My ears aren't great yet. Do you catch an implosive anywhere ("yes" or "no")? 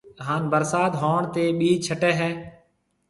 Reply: yes